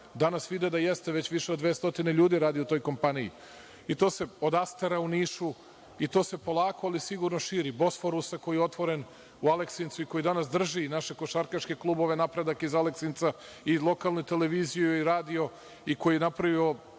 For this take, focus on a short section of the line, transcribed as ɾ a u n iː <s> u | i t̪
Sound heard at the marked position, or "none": ʃ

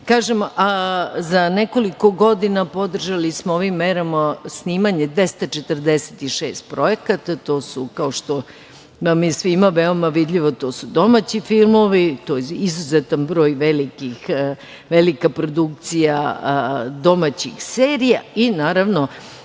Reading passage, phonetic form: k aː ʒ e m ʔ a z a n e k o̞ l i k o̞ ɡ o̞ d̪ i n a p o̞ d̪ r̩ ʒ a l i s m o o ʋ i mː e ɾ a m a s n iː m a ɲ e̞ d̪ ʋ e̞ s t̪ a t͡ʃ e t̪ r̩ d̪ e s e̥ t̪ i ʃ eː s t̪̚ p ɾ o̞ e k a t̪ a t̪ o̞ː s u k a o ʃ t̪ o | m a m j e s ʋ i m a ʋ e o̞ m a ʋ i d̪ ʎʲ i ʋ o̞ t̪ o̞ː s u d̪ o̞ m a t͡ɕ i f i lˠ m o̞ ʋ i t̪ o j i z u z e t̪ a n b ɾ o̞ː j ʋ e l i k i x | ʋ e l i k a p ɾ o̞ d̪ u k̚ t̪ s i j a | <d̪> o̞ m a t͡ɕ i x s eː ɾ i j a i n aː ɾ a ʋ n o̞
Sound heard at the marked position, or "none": d̪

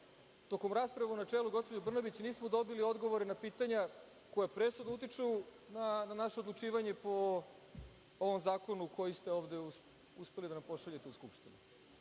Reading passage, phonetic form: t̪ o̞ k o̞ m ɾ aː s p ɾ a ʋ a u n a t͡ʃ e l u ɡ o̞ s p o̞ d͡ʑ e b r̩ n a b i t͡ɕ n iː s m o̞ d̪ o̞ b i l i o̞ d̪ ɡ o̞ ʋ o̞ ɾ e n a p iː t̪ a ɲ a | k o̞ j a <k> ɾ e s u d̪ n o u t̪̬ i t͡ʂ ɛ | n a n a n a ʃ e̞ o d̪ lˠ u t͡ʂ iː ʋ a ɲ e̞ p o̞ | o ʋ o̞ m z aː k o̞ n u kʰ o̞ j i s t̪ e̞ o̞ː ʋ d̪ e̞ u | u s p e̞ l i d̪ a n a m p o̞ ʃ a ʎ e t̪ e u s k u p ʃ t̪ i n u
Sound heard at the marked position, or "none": p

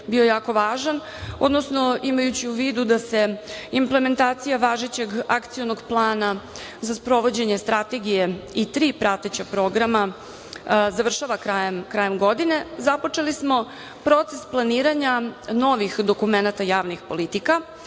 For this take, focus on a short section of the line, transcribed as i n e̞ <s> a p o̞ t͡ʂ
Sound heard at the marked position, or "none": z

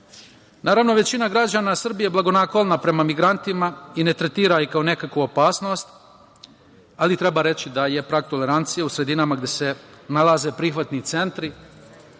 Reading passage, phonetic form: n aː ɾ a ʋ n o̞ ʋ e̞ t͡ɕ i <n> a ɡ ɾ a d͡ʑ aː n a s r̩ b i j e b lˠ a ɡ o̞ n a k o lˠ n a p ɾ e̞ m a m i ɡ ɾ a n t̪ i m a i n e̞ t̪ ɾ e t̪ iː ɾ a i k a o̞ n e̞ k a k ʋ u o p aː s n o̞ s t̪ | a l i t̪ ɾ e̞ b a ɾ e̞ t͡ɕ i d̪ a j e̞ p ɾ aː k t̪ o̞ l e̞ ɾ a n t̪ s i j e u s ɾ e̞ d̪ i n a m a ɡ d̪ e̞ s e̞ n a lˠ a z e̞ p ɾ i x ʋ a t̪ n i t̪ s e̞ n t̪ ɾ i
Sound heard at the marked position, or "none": n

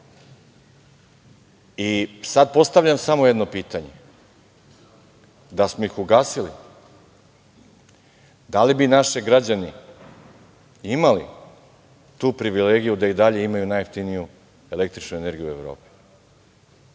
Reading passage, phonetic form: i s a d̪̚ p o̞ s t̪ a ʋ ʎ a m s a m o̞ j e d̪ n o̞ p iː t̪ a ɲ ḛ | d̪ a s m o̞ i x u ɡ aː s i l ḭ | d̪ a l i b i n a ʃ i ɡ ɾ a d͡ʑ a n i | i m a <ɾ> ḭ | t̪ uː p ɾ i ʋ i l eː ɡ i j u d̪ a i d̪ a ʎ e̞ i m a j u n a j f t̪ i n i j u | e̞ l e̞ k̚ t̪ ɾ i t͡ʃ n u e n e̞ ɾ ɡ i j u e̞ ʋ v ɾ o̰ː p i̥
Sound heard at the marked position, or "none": l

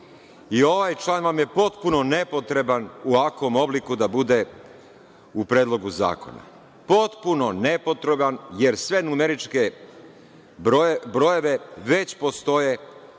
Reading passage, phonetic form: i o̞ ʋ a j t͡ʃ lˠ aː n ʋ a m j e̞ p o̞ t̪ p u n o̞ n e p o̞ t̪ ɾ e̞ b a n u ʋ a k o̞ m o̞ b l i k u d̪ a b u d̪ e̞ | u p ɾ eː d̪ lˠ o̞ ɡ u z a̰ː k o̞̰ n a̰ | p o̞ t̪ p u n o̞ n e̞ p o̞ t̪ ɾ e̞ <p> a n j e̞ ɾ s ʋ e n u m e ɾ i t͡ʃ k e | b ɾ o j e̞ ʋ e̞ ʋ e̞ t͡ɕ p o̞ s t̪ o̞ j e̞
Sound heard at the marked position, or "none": b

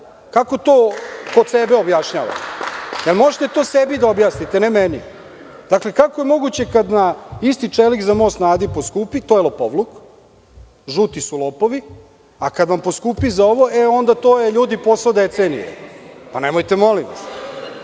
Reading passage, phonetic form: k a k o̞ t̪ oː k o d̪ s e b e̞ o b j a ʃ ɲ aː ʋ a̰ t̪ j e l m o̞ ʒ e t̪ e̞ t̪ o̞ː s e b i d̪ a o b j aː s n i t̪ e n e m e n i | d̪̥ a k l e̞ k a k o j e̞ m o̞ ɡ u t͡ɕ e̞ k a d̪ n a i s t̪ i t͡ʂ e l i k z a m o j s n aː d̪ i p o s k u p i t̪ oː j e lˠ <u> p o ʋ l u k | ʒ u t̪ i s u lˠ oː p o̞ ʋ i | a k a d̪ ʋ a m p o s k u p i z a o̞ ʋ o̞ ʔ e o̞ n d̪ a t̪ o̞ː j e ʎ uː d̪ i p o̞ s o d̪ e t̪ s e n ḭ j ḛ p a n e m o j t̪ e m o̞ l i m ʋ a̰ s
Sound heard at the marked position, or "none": o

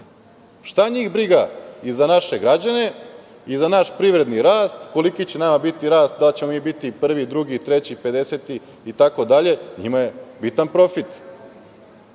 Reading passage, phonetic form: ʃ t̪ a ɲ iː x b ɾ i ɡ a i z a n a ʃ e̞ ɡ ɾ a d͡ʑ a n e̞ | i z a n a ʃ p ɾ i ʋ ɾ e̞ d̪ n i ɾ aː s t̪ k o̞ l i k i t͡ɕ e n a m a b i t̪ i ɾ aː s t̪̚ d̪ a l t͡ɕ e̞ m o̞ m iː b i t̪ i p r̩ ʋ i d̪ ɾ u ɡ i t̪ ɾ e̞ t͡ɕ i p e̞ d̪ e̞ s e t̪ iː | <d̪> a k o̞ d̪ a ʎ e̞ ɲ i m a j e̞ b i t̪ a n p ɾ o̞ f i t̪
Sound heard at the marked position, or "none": t̪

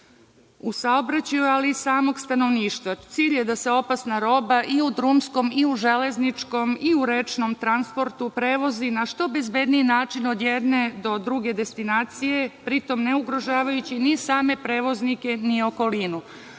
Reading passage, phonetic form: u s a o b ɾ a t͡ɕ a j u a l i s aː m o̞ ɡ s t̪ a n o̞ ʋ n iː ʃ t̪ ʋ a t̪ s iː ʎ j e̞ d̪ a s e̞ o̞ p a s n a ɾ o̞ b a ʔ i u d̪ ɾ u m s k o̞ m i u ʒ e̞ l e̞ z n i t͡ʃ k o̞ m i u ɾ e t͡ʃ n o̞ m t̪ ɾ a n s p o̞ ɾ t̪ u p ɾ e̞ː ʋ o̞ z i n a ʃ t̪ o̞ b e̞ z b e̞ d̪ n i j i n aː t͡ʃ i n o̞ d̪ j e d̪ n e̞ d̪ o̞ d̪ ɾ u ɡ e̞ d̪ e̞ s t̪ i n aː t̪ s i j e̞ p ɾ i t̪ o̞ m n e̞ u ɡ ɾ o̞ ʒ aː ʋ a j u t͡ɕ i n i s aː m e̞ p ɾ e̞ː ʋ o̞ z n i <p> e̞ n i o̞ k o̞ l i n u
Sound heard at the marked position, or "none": k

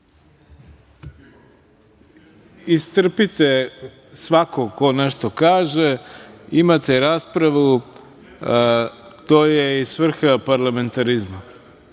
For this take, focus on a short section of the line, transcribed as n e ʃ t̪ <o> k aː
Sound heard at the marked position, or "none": o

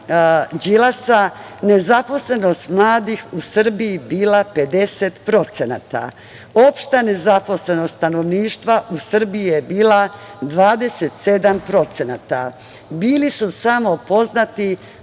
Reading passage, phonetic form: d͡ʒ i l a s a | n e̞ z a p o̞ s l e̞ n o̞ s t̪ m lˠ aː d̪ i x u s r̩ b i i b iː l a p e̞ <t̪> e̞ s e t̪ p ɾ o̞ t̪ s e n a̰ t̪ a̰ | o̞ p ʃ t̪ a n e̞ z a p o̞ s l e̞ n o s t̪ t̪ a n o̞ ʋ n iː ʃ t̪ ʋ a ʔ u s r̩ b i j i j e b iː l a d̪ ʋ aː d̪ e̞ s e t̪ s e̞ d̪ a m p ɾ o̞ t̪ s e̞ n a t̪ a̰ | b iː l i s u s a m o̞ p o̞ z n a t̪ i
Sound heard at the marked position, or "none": d̪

